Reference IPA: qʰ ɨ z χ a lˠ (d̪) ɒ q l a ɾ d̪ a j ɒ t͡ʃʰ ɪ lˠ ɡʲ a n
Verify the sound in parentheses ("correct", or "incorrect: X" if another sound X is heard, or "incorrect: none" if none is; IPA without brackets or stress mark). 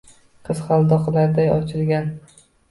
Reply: correct